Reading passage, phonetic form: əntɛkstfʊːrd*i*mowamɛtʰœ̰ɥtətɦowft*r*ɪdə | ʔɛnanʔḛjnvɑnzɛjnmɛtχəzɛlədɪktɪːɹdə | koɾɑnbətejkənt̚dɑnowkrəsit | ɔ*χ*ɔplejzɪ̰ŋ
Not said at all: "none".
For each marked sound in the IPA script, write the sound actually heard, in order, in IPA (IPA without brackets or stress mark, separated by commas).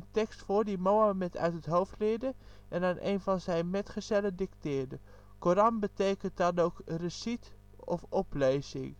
i, l, f